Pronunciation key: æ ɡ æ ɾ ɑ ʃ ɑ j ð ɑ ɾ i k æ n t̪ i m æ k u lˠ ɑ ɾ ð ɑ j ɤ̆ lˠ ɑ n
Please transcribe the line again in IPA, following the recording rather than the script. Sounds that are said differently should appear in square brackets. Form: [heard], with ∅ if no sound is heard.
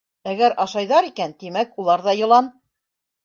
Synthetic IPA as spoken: æ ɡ æ ɾ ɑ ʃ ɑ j ð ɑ ɾ i k æ n t̪ i m æ k u lˠ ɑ ɾ ð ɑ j ɤ̆ lˠ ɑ n